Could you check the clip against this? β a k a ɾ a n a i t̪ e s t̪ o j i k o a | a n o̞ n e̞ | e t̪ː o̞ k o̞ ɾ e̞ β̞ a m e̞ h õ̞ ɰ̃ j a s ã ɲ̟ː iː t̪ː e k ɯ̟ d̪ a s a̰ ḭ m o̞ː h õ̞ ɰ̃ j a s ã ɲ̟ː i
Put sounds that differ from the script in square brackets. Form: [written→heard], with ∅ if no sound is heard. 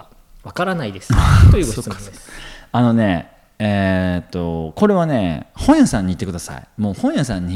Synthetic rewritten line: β a k a ɾ a n a i [t̪→d̪] e s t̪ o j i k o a | a n o̞ n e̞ | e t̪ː o̞ k o̞ ɾ e̞ β̞ a [m→n] e̞ h õ̞ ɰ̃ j a s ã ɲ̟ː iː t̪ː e k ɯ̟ d̪ a s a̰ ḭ m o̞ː h õ̞ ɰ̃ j a s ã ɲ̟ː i